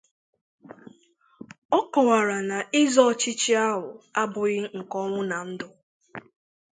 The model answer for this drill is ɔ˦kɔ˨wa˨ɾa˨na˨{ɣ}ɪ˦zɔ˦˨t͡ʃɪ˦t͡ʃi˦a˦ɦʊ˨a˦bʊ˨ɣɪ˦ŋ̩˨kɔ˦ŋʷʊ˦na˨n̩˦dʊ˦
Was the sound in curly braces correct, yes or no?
no